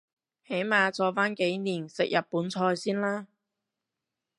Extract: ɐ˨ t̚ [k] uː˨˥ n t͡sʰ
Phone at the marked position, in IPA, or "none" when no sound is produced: p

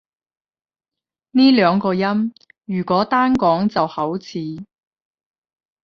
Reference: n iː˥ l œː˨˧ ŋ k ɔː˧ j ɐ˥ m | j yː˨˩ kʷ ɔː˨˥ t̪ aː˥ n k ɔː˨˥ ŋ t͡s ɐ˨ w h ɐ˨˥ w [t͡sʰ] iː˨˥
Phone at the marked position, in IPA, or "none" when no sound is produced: t͡sʰ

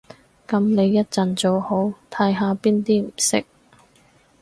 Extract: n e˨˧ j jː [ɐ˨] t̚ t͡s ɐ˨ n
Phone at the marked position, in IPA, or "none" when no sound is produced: ɐ˥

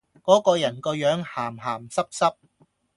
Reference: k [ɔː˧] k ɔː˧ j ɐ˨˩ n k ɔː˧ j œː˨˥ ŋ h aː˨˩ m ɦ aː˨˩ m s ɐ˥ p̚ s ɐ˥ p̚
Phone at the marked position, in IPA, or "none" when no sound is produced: ɔː˨˥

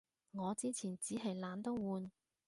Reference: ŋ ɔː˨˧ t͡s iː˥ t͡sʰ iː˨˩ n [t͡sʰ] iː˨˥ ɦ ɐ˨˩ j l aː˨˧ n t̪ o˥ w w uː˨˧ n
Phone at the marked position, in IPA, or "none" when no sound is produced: t͡s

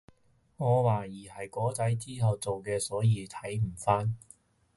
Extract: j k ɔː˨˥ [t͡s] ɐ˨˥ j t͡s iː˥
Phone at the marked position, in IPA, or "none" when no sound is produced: t͡s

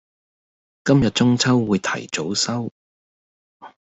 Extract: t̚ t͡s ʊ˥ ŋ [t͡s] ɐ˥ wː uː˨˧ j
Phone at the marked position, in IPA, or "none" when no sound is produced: t͡sʰ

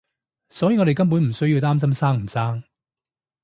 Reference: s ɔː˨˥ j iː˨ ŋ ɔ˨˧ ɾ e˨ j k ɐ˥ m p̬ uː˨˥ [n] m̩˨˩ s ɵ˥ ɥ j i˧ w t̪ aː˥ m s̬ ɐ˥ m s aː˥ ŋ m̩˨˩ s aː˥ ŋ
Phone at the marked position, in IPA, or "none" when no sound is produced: n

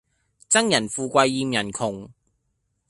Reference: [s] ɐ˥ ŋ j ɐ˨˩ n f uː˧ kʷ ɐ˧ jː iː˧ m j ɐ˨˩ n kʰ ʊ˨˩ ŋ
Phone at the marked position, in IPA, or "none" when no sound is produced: t͡s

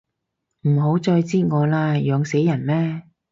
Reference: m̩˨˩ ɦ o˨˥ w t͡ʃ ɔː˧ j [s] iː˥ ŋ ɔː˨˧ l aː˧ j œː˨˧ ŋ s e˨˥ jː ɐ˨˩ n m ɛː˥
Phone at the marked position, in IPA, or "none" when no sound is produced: t͡s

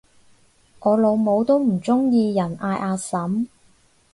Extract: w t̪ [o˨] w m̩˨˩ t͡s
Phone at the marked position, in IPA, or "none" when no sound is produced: o˥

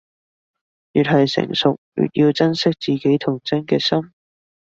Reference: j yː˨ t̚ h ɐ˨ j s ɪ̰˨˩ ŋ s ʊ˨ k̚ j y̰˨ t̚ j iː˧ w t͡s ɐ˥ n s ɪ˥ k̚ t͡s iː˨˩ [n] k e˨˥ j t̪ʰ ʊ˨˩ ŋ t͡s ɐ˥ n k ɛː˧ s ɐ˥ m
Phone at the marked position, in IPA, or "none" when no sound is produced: none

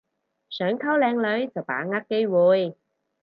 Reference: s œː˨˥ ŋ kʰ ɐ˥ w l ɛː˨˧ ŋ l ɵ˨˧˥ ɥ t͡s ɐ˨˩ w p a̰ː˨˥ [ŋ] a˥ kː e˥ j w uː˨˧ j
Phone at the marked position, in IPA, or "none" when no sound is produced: ŋ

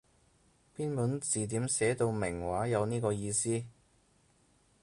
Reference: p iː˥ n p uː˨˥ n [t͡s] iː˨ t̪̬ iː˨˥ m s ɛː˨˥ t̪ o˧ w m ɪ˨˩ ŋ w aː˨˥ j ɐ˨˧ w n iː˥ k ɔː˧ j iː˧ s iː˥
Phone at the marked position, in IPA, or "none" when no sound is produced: t͡s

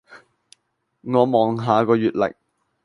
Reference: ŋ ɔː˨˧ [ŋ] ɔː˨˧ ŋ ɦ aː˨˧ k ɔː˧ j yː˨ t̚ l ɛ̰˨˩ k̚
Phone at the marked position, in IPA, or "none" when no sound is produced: m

